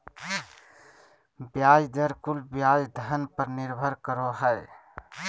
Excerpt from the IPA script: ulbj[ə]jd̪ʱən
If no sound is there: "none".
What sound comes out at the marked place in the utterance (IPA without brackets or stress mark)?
a